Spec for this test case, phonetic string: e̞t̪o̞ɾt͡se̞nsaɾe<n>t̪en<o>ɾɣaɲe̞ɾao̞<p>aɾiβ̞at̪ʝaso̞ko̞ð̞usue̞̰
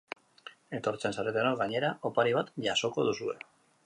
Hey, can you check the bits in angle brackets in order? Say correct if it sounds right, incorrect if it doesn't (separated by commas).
incorrect, correct, correct